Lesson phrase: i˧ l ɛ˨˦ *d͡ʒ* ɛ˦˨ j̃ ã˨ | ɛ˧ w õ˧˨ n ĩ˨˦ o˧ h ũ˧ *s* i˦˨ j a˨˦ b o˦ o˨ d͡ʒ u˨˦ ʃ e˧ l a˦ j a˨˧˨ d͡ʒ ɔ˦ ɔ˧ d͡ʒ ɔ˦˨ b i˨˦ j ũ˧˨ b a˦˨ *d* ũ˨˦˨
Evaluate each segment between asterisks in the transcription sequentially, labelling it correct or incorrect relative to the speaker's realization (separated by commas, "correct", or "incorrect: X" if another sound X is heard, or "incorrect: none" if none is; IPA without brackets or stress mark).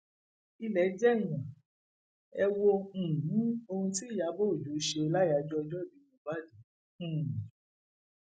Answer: correct, incorrect: t, correct